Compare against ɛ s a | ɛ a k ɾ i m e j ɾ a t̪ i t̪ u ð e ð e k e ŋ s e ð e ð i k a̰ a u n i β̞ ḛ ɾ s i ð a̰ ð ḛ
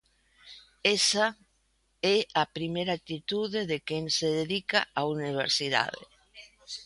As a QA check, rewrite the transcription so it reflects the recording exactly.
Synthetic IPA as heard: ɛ s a | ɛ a p ɾ i m e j ɾ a t̪ i t̪ u ð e ð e k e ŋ s e ð e ð i k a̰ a u n i β̞ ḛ ɾ s i ð a̰ ð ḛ